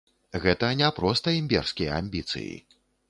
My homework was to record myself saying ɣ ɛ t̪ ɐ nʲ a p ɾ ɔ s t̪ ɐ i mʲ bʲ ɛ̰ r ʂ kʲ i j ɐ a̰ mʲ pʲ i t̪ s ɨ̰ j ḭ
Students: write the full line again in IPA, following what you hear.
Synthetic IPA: ɣ ɛ t̪ ɐ nʲ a p ɾ ɔ s t̪ ɐ i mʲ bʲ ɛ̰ r s kʲ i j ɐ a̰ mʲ bʲ i t̪ s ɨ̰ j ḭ